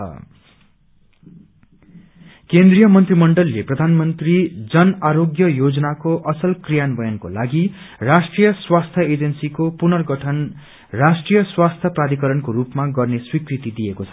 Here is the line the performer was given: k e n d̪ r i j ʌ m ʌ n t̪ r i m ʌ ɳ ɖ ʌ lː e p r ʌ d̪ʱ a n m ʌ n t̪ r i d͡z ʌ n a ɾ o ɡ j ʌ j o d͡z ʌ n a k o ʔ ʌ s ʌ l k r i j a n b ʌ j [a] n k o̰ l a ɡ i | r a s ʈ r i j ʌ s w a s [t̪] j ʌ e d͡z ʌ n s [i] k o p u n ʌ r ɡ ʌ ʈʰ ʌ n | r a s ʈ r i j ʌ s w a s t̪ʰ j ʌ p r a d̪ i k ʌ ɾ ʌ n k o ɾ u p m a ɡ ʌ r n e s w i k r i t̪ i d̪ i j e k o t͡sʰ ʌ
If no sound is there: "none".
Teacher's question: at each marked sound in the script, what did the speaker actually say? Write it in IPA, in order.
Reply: ʌ, t̪ʰ, i

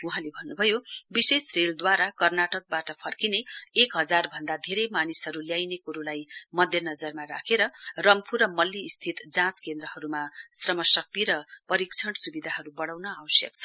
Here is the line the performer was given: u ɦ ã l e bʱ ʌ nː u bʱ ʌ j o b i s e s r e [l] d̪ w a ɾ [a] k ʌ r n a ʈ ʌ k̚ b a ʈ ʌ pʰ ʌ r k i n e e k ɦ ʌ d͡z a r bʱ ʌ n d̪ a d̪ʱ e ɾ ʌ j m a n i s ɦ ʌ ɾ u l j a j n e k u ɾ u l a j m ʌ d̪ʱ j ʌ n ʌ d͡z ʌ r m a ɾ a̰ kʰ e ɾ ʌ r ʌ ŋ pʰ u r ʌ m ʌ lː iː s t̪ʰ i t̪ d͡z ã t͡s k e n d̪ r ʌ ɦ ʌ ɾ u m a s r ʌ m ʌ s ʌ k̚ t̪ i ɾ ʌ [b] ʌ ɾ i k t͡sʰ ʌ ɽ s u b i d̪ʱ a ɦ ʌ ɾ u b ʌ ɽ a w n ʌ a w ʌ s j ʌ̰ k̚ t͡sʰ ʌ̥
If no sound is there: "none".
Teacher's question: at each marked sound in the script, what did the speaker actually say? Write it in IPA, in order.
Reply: l, a, p

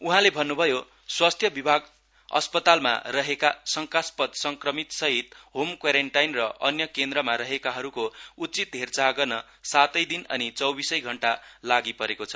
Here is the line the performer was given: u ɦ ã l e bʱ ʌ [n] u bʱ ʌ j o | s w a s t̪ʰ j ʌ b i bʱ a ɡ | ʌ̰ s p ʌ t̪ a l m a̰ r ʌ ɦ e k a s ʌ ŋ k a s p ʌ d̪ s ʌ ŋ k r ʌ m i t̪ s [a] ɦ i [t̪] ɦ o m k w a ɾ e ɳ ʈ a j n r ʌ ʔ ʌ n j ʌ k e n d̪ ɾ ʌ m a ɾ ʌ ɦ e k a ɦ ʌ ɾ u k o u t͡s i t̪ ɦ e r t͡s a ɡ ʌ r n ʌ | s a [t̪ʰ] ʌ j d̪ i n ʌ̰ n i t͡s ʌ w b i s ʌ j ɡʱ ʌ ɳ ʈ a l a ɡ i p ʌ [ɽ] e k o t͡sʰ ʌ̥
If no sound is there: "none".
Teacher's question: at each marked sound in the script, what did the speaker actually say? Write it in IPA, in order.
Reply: nː, ʌ, t̪, t̪, ɾ

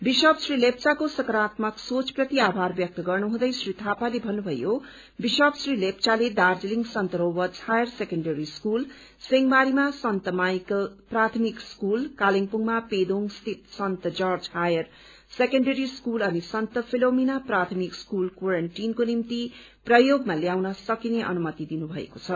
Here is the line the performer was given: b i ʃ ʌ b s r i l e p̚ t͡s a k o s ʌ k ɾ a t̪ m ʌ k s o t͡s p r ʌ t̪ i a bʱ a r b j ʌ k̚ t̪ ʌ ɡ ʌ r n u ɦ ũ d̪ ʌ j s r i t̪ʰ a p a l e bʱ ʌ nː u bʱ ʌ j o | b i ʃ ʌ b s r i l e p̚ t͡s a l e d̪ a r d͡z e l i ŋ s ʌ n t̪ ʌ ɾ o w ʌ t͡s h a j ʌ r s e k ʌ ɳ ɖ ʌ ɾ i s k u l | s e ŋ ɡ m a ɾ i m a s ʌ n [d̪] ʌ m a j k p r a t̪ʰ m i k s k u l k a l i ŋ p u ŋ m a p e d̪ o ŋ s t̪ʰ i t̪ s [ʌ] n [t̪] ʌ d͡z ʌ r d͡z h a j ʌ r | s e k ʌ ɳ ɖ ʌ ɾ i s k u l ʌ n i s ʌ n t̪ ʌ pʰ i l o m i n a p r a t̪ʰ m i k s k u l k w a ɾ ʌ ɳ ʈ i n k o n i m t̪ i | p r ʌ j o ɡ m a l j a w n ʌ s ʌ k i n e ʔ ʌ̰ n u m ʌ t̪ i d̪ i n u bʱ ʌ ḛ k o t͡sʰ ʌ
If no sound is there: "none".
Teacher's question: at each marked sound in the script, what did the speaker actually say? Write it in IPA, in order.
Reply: t̪, ʌ, t̪

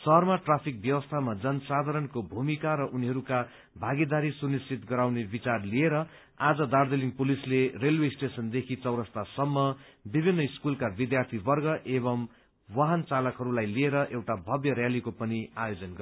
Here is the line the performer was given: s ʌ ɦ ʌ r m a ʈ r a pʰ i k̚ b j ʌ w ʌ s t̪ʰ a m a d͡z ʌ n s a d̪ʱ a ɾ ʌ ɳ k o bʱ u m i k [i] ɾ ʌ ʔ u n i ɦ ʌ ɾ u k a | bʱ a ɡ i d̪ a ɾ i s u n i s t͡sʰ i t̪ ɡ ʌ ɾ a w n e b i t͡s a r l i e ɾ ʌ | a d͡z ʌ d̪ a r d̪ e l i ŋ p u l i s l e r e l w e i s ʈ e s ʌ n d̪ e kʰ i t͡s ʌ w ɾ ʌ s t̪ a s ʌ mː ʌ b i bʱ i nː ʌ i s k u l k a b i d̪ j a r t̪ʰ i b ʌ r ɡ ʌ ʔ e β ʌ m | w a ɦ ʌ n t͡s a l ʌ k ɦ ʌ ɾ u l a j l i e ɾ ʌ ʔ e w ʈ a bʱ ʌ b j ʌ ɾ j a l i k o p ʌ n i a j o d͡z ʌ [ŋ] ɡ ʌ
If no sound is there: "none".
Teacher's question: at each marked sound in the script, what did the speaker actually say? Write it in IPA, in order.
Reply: a, n

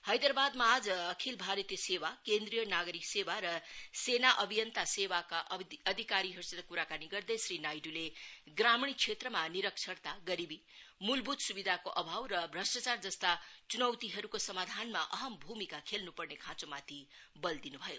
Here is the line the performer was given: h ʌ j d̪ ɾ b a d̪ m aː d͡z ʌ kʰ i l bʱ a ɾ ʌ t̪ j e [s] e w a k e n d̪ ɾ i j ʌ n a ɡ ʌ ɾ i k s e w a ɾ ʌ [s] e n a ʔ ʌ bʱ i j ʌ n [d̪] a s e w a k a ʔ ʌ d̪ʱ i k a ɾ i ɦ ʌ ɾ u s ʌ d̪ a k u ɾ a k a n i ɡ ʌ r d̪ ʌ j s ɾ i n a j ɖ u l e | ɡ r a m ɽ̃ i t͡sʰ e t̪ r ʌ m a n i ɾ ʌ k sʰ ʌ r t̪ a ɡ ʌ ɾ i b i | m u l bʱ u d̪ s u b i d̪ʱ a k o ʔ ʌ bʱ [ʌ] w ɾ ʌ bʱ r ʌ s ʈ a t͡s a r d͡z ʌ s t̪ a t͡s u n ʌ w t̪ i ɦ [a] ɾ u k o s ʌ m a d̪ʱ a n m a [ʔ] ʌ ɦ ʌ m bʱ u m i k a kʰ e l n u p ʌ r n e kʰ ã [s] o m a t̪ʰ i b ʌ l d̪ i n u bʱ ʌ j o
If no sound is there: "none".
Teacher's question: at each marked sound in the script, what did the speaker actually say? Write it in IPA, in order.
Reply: s, s, t̪, a, ʌ, ʔ, t͡s

